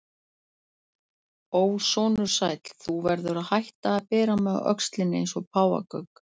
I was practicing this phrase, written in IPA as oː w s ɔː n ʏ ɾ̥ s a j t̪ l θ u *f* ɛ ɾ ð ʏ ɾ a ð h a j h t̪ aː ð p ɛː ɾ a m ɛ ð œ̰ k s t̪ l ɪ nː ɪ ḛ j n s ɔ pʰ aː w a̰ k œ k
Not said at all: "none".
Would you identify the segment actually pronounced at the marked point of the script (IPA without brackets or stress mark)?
v